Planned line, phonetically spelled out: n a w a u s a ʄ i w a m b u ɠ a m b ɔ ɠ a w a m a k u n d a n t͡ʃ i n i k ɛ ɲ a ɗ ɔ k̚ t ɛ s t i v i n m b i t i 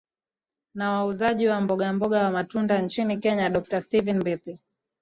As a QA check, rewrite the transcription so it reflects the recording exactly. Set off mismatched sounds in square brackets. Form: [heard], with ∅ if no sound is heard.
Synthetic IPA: n a w a u [z] a ʄ i w a m b [ɔ] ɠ a m b ɔ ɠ a w a m a [t] u n d a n t͡ʃ i n i k ɛ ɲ a ɗ ɔ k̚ t [a] s t i v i n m b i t i